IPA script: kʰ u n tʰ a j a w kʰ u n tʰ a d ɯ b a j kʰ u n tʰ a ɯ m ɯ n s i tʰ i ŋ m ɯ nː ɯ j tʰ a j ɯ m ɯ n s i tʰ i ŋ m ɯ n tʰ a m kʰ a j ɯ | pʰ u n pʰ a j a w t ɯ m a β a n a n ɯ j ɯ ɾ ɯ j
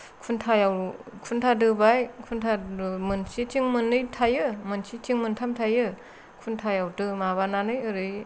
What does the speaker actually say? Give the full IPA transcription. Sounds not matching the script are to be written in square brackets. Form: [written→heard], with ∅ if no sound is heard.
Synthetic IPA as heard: kʰ u n tʰ a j a w kʰ u n tʰ a d ɯ b a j kʰ u n tʰ a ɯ m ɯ n s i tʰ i ŋ m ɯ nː ɯ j tʰ a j ɯ m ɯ n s i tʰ i ŋ m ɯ n tʰ a m [kʰ→tʰ] a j ɯ | [pʰ→kʰ] u n [pʰ→tʰ] a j a w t ɯ m a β a n a n ɯ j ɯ ɾ ɯ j